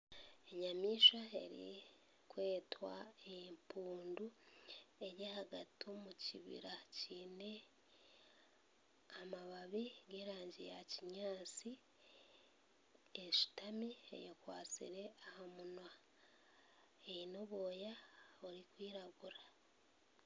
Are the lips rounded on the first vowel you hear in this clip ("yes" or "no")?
no